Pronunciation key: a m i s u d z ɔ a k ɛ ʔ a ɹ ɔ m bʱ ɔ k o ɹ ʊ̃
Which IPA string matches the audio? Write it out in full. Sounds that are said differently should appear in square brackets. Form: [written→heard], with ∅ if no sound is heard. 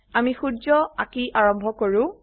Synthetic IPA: a m i [s→x] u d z ɔ a k [ɛ→i] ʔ a ɹ ɔ m bʱ ɔ k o ɹ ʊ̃